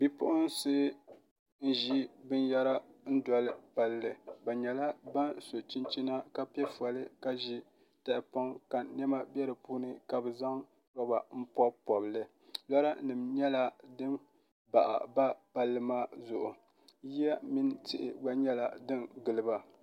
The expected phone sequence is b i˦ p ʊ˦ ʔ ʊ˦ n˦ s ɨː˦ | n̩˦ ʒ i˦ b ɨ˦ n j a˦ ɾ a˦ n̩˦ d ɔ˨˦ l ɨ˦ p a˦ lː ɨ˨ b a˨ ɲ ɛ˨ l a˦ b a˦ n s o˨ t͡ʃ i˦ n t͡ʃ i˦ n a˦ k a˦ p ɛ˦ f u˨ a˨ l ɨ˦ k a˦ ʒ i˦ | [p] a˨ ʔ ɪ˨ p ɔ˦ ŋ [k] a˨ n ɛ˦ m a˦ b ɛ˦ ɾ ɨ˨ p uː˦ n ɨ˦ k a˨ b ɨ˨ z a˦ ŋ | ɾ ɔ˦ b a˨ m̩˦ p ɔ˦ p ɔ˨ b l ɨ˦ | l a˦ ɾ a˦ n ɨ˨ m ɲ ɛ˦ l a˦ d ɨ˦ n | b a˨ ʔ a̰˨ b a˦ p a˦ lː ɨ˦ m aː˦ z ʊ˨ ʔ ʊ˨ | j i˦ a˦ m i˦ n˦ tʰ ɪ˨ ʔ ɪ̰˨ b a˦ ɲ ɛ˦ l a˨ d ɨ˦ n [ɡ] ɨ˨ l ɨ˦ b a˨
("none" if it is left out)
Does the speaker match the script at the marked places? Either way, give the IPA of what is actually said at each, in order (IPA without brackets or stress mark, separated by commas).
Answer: t, k, ɡ